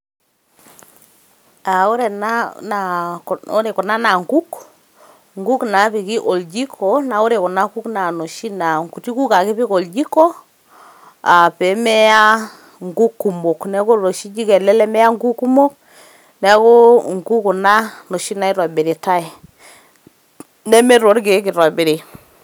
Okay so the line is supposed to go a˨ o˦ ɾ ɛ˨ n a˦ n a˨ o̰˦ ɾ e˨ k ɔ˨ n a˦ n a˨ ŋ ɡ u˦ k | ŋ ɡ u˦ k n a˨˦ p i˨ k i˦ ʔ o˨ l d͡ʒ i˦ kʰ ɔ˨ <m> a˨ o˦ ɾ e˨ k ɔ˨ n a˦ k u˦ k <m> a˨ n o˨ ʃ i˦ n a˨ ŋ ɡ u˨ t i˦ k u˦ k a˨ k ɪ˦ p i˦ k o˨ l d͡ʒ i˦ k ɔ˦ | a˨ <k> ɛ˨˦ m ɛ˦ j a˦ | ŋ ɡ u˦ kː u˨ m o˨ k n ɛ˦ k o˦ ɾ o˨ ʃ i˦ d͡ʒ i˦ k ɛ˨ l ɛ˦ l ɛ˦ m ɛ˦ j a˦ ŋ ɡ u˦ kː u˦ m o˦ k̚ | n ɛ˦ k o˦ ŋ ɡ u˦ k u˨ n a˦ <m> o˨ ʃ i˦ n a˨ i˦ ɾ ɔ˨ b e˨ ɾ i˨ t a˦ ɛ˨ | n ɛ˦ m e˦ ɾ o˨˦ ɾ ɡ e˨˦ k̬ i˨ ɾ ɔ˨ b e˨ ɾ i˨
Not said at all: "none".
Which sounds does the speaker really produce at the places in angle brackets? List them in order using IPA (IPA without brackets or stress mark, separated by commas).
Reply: n, n, p, n